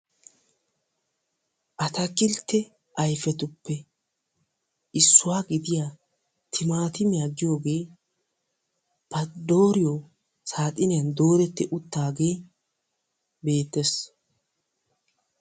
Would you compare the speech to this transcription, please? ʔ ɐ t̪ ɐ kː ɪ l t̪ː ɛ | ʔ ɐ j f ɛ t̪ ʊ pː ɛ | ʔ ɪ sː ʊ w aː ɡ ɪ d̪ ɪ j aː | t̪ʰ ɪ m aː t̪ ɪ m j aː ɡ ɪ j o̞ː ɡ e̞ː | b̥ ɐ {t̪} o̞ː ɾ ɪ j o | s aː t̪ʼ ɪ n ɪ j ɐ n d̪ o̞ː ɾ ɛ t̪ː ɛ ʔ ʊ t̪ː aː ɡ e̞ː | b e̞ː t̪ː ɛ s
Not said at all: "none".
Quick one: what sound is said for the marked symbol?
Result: d̪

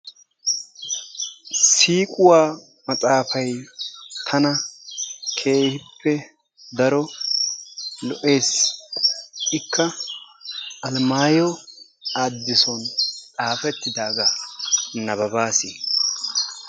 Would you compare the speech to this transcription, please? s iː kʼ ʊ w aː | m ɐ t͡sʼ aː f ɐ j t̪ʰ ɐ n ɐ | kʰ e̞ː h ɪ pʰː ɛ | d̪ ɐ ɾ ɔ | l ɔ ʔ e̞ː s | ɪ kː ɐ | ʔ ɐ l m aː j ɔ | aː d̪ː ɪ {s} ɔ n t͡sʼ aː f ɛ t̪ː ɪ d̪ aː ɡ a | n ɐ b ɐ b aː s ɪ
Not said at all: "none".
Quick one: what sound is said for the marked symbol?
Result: s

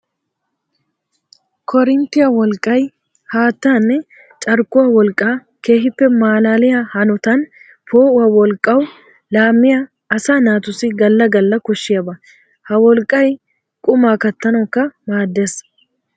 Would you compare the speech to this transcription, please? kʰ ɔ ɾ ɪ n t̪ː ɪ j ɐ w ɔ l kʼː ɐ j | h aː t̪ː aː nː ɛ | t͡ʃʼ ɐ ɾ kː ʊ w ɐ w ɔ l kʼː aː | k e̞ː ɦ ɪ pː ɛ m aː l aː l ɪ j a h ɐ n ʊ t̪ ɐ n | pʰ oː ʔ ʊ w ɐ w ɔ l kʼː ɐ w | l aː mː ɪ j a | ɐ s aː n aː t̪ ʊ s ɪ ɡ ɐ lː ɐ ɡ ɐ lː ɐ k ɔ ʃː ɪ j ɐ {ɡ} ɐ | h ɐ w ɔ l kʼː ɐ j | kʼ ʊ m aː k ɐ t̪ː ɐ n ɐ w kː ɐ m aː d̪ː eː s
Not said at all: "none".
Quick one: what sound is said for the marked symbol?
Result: b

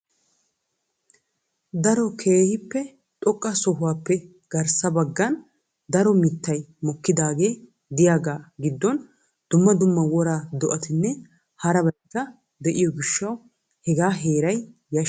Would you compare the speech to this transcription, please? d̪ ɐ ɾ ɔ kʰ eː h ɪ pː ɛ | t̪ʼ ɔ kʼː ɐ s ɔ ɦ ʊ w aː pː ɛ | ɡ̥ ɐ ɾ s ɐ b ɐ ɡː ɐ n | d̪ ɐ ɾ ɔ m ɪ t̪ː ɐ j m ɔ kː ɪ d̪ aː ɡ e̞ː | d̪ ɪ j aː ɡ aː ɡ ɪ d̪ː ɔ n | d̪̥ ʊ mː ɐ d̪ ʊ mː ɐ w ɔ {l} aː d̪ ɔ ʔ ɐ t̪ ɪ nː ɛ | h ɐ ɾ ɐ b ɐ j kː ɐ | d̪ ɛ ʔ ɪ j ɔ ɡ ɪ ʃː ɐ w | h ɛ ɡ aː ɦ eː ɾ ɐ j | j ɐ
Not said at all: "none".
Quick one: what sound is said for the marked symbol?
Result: ɾ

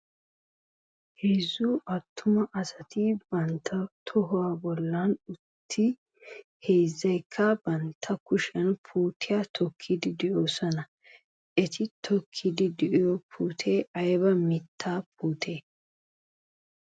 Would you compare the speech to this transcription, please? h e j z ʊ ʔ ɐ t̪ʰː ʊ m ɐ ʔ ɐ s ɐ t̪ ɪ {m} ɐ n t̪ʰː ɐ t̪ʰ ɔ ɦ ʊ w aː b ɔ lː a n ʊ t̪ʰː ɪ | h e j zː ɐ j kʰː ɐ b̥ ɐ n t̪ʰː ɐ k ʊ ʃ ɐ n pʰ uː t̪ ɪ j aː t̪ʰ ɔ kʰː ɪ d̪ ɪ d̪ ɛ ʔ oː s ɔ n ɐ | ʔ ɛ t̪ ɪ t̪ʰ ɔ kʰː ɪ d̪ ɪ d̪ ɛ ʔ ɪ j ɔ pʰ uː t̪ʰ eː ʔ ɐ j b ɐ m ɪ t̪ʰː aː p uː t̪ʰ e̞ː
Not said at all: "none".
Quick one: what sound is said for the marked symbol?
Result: b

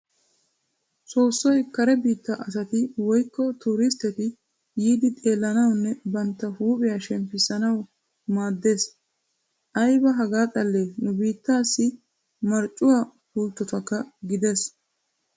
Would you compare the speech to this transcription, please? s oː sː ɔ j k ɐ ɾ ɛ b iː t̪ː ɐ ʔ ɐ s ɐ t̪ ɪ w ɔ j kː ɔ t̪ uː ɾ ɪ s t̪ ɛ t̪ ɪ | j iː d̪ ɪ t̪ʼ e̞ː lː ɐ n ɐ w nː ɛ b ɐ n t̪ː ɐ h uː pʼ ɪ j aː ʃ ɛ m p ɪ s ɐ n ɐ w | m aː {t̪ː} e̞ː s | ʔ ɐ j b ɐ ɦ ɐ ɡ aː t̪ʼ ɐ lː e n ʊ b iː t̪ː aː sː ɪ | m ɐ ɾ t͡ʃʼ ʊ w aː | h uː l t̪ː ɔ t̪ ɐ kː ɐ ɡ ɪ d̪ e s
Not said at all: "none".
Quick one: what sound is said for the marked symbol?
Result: d̪ː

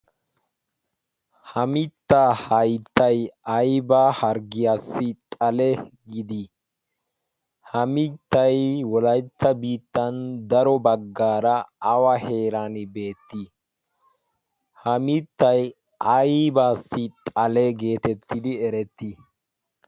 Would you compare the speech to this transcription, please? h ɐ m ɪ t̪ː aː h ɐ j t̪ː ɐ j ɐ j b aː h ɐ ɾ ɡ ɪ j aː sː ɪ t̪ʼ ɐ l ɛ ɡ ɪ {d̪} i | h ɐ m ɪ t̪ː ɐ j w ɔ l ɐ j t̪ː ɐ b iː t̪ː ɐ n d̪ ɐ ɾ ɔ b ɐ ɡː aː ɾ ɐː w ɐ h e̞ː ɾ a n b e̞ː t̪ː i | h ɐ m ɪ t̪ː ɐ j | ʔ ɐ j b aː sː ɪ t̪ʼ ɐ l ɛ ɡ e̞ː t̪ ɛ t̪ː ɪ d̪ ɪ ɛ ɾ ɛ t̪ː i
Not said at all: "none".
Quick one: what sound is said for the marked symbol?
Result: d̪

